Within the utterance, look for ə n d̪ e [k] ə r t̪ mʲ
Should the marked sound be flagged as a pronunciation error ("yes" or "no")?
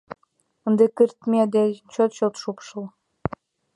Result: no